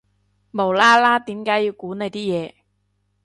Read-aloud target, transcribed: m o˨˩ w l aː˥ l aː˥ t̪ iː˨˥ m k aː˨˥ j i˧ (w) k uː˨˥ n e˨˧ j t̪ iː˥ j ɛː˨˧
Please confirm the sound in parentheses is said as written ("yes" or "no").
yes